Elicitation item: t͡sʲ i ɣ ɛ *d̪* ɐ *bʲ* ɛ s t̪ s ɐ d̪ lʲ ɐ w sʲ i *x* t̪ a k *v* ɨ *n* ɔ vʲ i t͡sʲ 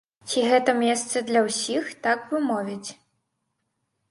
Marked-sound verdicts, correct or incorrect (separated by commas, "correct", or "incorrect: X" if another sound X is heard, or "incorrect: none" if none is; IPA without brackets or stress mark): incorrect: t̪, incorrect: mʲ, correct, correct, incorrect: m